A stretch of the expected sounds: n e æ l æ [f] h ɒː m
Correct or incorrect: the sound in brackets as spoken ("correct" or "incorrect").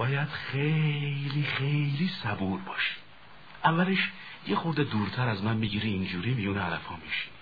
correct